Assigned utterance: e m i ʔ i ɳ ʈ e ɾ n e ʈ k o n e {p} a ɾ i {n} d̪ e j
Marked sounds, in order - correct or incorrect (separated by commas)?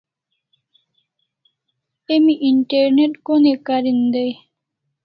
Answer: incorrect, correct